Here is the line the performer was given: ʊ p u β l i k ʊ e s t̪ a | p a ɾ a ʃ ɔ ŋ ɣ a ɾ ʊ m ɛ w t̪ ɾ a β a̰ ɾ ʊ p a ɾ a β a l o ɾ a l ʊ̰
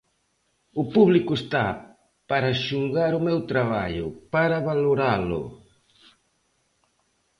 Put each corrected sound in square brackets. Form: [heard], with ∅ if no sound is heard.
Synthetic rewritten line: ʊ p u β l i k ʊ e s t̪ a | p a ɾ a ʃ [u] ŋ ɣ a ɾ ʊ m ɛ w t̪ ɾ a β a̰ [ʎ] ʊ p a ɾ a β a l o ɾ a l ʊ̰

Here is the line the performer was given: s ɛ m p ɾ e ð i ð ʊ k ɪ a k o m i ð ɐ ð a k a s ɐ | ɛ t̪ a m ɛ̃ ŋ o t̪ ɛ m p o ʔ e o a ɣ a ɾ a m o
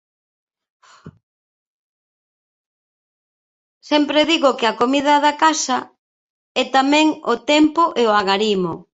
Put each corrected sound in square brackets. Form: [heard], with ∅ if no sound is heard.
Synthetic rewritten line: s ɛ m p ɾ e ð i [ɣ] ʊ k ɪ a k o m i ð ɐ ð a k a s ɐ | ɛ t̪ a m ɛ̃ ŋ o t̪ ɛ m p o ʔ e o a ɣ a ɾ [i] m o

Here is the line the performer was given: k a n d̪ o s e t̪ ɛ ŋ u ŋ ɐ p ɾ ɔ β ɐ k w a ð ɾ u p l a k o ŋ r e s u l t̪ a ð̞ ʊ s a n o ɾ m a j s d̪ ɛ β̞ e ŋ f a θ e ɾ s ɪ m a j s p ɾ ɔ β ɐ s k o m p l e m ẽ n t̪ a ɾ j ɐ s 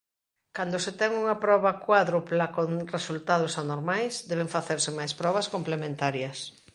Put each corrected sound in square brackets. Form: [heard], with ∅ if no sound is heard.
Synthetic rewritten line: k a n d̪ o s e t̪ ɛ ŋ u ŋ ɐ p ɾ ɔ β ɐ k w a ð ɾ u p l a k o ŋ r e s u l t̪ a ð̞ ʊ s a n o ɾ m a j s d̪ ɛ β̞ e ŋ f a θ e ɾ s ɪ m a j s p ɾ ɔ β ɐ s k o m p l e m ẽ n t̪ a ɾ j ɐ s

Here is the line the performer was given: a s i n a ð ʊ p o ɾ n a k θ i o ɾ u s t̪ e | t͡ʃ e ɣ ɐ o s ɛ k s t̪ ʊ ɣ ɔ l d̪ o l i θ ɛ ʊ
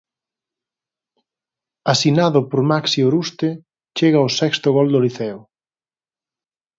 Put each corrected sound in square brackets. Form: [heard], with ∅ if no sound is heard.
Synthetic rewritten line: a s i n a ð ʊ p o ɾ [m] a k [s] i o ɾ u s t̪ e | t͡ʃ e ɣ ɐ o s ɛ k s t̪ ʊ ɣ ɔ l d̪ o l i θ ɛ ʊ

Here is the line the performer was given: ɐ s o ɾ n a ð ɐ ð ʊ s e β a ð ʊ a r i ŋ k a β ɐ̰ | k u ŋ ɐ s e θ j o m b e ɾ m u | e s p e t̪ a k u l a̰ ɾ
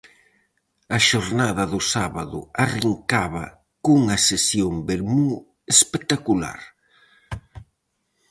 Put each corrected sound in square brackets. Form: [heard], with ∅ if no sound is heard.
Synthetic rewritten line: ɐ [ʃ] o ɾ n a ð ɐ ð ʊ s [a] β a ð ʊ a r i ŋ k a β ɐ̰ | k u ŋ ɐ s e [s] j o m b e ɾ m u | e s p e t̪ a k u l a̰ ɾ

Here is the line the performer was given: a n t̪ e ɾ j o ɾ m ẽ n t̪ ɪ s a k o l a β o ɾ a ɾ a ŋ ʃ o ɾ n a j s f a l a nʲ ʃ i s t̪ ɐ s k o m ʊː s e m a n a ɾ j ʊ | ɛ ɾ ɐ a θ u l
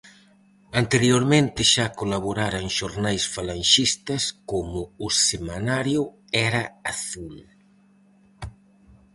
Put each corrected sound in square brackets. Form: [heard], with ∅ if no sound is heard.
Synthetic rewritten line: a n t̪ e ɾ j o ɾ m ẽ n t̪ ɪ [ʃ] a k o l a β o ɾ a ɾ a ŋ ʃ o ɾ n a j s f a l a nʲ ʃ i s t̪ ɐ s k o m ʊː s e m a n a ɾ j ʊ | ɛ ɾ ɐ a θ u l

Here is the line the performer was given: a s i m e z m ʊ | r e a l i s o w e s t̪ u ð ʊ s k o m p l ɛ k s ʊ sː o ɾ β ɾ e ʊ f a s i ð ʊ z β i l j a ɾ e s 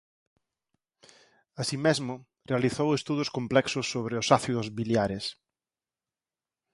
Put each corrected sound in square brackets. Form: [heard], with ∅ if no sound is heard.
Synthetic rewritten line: a s i m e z m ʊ | r e a l i [θ] o w e s t̪ u ð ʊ s k o m p l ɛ k s ʊ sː o [∅] β ɾ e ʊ [s] a [θ] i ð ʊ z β i l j a ɾ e s

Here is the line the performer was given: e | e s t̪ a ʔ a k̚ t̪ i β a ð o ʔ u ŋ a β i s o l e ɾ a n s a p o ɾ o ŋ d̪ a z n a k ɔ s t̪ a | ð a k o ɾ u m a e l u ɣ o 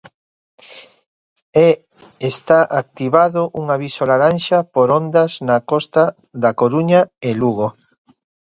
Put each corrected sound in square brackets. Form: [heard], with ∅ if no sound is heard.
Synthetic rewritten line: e | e s t̪ a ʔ a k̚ t̪ i β a ð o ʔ u ŋ a β i s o l [a] ɾ a n [ʃ] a p o ɾ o [n] d̪ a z n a k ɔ s t̪ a | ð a k o ɾ u [ɲ] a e l u ɣ o

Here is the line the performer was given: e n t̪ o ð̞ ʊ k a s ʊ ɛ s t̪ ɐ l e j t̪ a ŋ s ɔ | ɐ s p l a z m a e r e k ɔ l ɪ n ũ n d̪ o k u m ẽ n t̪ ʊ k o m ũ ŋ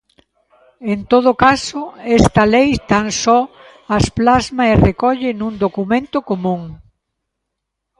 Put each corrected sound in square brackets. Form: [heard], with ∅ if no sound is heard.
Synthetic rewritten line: e n t̪ o ð̞ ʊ k a s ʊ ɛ s t̪ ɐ l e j t̪ a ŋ s ɔ | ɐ s p l a z m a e r e k ɔ [ʎ] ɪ n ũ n d̪ o k u m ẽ n t̪ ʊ k o m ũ ŋ

